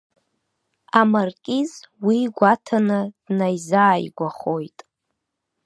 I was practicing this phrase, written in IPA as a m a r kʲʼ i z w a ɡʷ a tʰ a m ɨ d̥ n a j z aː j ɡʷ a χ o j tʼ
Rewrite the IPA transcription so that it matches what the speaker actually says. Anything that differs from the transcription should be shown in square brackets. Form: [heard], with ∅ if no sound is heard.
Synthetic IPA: a m a r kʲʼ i z w [i] ɡʷ a tʰ a [n] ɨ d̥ n a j z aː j ɡʷ a χ o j tʼ

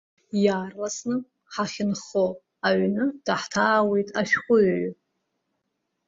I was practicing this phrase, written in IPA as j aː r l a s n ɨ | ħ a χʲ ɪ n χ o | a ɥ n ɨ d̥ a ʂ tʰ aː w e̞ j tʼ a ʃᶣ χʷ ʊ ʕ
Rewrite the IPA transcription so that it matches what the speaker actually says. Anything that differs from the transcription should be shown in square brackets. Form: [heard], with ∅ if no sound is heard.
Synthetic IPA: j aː r l a s n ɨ | ħ a χʲ ɪ n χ o | a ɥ n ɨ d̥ a [ħ] tʰ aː w e̞ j tʼ a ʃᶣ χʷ ʊ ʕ

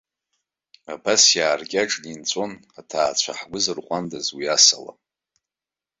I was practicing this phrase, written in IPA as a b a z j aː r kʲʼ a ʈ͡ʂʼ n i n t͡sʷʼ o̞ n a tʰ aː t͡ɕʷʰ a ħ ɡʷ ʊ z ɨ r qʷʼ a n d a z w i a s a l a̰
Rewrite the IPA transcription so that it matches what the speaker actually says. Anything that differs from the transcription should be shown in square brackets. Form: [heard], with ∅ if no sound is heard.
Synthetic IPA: a b a [s] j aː r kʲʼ a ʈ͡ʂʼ n i n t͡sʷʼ o̞ n a tʰ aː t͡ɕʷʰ a ħ ɡʷ ʊ z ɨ r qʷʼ a n d a z w i a s a l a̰

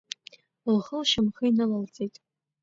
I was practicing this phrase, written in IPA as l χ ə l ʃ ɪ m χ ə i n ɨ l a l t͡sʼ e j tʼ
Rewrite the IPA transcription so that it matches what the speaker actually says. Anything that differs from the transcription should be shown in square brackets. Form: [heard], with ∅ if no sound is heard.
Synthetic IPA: l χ ə l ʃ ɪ m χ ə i n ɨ l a l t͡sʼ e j tʼ

